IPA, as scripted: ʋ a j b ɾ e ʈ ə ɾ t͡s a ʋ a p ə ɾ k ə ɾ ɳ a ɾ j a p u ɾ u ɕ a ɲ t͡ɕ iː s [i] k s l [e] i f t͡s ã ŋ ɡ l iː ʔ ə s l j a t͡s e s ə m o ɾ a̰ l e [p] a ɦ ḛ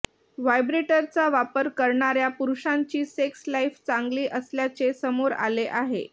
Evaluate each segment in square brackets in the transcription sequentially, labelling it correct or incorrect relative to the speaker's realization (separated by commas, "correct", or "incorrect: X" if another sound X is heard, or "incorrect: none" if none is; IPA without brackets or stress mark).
incorrect: e, incorrect: a, incorrect: ʔ